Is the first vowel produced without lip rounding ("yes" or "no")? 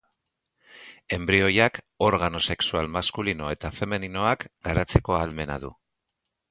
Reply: yes